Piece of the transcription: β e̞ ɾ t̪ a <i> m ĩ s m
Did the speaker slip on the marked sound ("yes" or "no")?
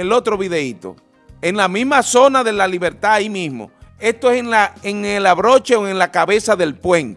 no